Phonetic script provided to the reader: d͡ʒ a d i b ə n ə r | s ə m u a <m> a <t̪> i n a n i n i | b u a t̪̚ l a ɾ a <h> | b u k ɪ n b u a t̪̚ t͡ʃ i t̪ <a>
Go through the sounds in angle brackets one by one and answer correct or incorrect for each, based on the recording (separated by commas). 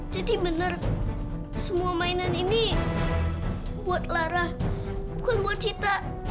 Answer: correct, incorrect, correct, correct